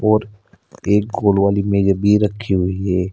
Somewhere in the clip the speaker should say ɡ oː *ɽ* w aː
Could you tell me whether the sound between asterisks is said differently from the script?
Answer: yes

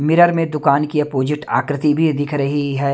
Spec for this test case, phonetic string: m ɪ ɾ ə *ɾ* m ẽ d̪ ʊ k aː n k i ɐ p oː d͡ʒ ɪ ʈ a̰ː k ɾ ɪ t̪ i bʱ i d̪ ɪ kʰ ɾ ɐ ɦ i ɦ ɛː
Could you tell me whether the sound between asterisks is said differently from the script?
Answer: no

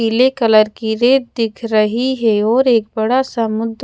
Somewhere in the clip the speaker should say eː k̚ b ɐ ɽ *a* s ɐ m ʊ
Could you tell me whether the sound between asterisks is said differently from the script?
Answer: no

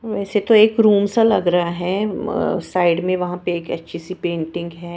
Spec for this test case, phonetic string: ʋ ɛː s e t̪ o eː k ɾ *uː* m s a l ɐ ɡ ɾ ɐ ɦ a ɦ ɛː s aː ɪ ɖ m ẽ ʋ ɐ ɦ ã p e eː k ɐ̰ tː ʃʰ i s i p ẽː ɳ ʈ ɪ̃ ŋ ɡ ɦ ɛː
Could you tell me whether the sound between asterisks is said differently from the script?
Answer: no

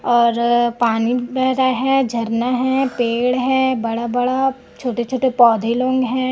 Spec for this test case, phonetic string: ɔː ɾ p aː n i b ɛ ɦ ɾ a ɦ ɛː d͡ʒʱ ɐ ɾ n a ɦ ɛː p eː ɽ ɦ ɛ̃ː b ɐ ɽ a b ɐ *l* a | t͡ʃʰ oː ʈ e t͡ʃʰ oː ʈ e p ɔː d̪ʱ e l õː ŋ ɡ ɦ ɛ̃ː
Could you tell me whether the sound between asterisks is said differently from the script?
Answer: yes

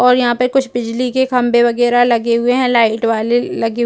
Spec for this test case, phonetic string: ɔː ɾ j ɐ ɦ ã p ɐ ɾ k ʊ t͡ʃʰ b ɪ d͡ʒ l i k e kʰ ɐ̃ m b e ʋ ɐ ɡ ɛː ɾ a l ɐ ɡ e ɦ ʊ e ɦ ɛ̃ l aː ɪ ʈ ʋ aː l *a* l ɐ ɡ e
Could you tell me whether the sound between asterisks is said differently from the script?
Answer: yes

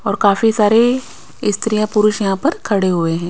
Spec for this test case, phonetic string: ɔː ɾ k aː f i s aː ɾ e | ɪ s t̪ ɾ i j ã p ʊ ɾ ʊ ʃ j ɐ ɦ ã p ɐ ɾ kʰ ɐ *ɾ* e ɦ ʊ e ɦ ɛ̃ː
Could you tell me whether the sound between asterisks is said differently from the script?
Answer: yes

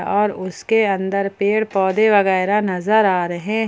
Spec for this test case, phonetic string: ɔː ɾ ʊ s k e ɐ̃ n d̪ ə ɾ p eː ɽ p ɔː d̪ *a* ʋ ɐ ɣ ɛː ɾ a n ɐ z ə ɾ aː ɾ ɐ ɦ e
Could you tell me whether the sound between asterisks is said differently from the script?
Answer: yes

